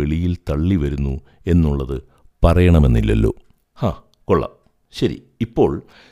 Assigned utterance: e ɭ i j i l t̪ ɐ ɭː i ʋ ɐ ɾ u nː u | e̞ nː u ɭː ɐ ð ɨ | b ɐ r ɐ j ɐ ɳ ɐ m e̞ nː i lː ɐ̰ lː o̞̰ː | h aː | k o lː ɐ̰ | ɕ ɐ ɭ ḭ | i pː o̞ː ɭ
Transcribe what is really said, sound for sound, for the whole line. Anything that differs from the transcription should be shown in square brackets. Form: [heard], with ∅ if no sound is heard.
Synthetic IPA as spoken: e ɭ i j i l t̪ ɐ ɭː i ʋ ɐ ɾ u nː u | e̞ nː u ɭː ɐ ð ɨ | [p] ɐ r ɐ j ɐ ɳ ɐ m e̞ nː i lː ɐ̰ lː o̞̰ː | h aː | k o [ɭː] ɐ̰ | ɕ ɐ [ɾ] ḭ | i pː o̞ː ɭ